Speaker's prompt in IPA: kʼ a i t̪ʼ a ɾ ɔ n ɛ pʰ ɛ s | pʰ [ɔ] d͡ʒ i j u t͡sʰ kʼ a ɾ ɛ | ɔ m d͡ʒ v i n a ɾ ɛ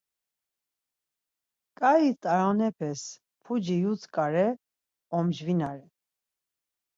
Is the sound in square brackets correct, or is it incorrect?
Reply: incorrect